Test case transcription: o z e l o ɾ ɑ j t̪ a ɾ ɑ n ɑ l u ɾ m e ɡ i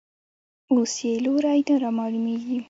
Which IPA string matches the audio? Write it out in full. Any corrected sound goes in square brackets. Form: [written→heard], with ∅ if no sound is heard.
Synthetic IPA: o [z→s] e l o ɾ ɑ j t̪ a ɾ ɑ [n→m] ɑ l u [ɾ→∅] m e ɡ i